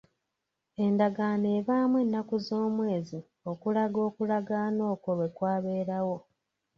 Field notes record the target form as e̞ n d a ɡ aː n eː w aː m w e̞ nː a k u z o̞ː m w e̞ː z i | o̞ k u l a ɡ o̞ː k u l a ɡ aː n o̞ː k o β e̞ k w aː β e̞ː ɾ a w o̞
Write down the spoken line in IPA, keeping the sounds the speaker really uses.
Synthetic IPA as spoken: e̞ n d a ɡ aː n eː β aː m w e̞ nː a k u z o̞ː m w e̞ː z i | o̞ k u l a ɡ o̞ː k u l a ɡ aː n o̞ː k o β e̞ k w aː β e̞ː ɾ a w o̞

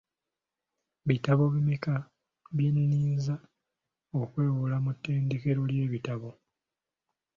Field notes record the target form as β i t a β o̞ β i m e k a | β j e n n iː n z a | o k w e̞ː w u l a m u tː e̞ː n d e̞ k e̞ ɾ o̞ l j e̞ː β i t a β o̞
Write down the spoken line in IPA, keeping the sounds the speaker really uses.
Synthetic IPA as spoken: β i t a β o̞ β i m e k a | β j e n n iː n z a | o k w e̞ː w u l a m u tː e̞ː n d e̞ k e̞ ɾ o̞ l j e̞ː β i t a β o̞

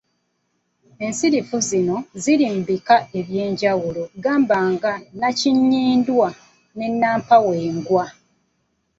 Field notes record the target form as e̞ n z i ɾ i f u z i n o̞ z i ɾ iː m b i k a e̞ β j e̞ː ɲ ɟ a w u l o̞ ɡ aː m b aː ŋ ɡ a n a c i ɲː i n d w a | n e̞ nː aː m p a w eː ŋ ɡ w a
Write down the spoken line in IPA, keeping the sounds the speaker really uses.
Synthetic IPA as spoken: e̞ n s i ɾ i f u z i n o̞ z i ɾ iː m b i k a e̞ β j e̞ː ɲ ɟ a w u l o̞ ɡ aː m b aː ŋ ɡ a n a c i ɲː iː n d w a | n e̞ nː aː m p a w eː ŋ ɡ w a

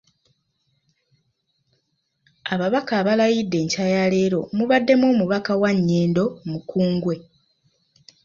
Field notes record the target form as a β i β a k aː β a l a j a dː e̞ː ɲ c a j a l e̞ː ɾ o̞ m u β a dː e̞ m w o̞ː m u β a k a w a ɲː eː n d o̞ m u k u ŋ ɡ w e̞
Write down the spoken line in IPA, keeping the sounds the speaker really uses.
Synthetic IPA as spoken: a β a β a k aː β a l a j i dː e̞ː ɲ c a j a l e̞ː ɾ o̞ m u β a dː e̞ m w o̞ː m u β a k a w a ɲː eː n d o̞ m u k uː ŋ ɡ w e̞

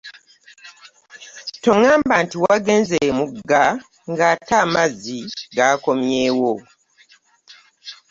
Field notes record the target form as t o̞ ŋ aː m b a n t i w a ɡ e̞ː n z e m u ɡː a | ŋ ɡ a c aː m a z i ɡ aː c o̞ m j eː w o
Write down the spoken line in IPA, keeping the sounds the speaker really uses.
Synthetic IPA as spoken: t o̞ ŋ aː m b a n t i w a ɡ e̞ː n z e m u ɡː a | ŋ ɡ a t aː m a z i ɡ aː k o̞ m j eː w o

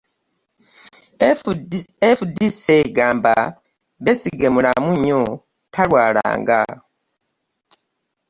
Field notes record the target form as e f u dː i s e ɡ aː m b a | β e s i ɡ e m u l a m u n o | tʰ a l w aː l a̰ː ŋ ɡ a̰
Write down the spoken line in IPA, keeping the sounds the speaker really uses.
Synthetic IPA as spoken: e f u d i s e ɡ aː m b a | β e s i ɡ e m u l a m u ɲ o | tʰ a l w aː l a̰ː ŋ ɡ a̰

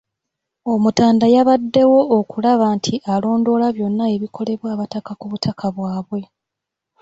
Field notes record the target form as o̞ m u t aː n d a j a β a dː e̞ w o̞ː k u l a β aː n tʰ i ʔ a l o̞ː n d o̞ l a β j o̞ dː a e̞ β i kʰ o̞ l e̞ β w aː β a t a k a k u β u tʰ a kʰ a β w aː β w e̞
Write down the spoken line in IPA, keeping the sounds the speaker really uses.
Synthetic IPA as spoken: o̞ m u t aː n d a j a β a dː e̞ w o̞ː k u l a β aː n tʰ i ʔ a l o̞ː n d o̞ l a β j o̞ nː a e̞ β i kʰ o̞ l e̞ β w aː β a t a k a k u β u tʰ a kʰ a β w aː β w e̞

